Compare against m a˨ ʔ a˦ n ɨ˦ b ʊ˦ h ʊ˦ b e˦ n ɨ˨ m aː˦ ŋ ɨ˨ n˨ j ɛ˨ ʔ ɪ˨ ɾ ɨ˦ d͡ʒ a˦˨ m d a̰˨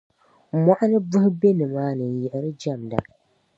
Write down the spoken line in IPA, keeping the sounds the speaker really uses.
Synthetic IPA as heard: m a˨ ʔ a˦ n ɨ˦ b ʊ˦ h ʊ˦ b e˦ n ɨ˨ m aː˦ n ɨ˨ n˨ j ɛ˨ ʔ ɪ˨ ɾ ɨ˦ d͡ʒ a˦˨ m d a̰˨